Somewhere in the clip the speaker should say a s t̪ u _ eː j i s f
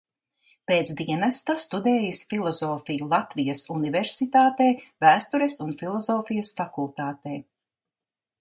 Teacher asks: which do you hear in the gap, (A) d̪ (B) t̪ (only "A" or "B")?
A